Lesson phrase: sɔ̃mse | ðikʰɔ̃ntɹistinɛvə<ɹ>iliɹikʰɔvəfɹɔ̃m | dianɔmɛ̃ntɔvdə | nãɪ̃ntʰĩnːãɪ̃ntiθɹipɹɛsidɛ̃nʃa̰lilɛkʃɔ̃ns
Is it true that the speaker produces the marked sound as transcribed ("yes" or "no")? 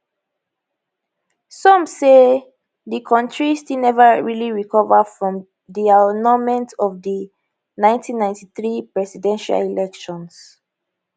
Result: yes